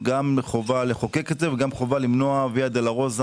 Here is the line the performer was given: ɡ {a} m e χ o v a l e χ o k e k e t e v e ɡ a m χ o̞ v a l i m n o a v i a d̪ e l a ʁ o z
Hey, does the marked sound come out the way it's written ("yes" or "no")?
yes